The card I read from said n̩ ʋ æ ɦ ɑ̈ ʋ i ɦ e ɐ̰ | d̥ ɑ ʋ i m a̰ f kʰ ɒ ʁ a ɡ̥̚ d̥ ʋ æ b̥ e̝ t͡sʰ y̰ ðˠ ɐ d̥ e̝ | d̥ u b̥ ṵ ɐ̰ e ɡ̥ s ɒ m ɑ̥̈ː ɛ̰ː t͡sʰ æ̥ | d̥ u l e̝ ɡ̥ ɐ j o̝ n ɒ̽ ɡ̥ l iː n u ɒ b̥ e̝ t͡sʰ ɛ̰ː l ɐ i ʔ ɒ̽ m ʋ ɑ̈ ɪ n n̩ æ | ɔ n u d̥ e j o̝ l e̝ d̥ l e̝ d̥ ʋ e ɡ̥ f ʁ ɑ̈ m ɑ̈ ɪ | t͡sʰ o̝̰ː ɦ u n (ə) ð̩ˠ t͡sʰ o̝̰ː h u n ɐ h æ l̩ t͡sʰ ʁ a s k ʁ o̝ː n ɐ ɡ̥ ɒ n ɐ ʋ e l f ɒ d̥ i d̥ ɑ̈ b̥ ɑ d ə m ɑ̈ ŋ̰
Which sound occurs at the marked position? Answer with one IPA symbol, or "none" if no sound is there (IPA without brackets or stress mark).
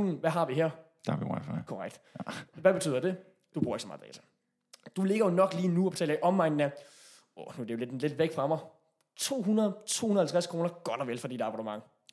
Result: ɐ